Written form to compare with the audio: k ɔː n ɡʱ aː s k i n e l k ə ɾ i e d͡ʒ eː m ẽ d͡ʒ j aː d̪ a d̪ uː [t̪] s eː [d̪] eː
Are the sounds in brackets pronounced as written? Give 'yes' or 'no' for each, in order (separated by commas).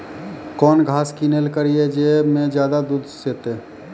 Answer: no, no